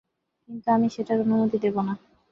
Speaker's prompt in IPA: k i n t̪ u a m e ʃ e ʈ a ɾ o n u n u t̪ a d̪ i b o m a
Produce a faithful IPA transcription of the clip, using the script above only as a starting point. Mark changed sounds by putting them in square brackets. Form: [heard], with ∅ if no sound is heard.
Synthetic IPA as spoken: k i n t̪ u a m [i] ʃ e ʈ a ɾ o n u [m] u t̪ [i] d̪ [e] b o [n] a